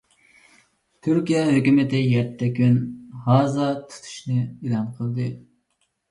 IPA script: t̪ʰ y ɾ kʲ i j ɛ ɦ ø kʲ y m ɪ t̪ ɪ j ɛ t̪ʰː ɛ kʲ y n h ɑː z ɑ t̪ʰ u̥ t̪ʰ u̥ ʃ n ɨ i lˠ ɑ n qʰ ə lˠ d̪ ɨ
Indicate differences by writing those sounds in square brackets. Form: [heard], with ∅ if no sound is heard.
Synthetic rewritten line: t̪ʰ y ɾ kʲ i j ɛ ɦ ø kʲ y m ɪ t̪ ɪ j ɛ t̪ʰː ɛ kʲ y n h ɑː z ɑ t̪ʰ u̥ t̪ʰ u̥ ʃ n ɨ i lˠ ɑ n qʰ ə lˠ d̪ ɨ